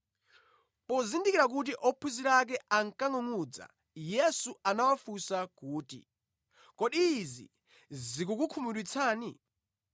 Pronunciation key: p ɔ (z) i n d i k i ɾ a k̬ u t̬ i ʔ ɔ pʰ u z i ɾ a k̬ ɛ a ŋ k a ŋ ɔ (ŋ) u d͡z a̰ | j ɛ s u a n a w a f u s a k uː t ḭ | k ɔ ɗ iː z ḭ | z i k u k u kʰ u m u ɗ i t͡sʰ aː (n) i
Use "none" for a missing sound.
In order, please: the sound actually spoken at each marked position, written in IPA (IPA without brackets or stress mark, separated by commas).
z, ŋ, n